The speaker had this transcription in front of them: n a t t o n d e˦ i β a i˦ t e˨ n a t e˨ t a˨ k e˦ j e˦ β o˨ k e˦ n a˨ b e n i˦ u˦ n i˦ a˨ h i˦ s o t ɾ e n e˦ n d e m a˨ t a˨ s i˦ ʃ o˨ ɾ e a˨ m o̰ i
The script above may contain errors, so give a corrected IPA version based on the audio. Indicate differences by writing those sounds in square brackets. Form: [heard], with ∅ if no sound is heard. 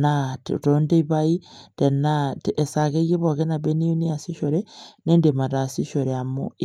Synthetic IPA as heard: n a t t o n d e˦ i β a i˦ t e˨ n a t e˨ [s] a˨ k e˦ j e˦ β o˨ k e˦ n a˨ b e n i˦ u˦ n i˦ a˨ [s] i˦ [ʃ] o [∅] ɾ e n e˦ n d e m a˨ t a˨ s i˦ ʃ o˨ ɾ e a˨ m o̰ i